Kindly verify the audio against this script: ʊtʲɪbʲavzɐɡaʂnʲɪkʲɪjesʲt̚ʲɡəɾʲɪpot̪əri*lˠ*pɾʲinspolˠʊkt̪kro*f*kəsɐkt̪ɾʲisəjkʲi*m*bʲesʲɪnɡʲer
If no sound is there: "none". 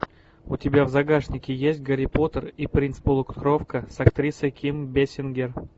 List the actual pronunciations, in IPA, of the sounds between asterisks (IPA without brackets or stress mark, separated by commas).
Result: none, f, m